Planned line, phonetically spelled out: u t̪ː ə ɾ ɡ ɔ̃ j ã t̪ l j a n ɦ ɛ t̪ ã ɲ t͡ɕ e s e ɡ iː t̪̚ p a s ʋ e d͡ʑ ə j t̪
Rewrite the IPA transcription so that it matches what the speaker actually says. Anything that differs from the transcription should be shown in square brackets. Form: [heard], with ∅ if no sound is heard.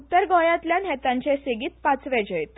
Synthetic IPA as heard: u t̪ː ə ɾ ɡ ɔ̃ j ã t̪ l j a n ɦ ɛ t̪ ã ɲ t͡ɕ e s e ɡ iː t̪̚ p a [t͡s] ʋ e d͡ʑ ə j t̪